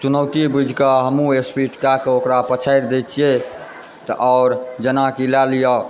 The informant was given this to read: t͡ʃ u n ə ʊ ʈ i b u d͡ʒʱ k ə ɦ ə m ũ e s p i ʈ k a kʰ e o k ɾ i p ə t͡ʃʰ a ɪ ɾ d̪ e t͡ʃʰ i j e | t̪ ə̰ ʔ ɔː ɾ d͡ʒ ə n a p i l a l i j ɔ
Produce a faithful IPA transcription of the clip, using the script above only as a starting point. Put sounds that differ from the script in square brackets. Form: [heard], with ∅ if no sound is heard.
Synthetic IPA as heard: t͡ʃ u n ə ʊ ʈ i b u d͡ʒʱ k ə ɦ ə m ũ e s p i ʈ k a [k] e o k ɾ [a] p ə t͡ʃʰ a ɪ ɾ d̪ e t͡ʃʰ i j e | t̪ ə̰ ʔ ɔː ɾ d͡ʒ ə n a [k] i l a l i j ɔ

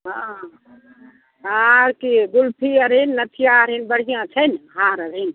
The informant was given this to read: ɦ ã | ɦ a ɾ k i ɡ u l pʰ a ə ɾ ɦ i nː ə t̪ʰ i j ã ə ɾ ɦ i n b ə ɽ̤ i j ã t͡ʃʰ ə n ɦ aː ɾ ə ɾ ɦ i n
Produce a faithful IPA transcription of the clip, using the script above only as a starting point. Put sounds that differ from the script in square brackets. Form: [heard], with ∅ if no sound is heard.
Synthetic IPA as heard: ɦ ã | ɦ a ɾ k i ɡ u l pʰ [i] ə ɾ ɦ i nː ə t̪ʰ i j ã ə ɾ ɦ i n b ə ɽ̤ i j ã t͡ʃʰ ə n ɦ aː ɾ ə ɾ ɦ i n

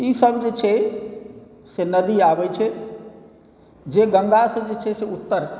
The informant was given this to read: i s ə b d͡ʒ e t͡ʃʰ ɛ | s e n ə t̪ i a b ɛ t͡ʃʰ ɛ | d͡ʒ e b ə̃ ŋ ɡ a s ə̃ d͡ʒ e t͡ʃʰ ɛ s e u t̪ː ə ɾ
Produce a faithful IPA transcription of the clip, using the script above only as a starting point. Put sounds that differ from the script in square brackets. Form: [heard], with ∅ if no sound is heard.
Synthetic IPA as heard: i s ə b d͡ʒ e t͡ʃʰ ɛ | s e n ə [d̪] i a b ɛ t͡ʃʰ ɛ | d͡ʒ e [ɡ] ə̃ ŋ ɡ a s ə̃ d͡ʒ e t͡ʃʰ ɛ s e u t̪ː ə ɾ

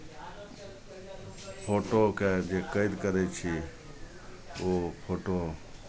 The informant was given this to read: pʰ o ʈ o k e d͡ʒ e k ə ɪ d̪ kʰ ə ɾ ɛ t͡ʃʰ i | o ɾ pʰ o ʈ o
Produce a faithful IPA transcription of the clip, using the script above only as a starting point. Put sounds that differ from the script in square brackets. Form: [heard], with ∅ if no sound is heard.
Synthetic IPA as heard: pʰ o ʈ o k e d͡ʒ e k ə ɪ d̪ [k] ə ɾ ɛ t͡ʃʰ i | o [∅] pʰ o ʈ o

